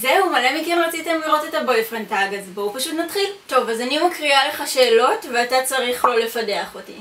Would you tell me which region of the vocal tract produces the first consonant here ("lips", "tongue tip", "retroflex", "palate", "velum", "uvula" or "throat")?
tongue tip